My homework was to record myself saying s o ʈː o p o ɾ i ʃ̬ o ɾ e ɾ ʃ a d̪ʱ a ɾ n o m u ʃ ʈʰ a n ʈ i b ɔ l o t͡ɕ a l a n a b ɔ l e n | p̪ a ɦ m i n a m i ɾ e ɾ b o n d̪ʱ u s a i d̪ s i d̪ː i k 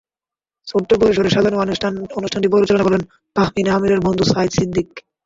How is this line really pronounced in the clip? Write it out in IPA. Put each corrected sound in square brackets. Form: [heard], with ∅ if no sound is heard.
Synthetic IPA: s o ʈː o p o ɾ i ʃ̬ o ɾ e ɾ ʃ a d̪ʱ a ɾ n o [n] u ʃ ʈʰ a n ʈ i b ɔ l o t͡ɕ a l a n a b ɔ l e n | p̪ a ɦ m i n a m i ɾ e ɾ b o n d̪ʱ u s a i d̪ s i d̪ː i k